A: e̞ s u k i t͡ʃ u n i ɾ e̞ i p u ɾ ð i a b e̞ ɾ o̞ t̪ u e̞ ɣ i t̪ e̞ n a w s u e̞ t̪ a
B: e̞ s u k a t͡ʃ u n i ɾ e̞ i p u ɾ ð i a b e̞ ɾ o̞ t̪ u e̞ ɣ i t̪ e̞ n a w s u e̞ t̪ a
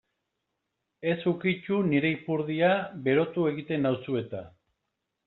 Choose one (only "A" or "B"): A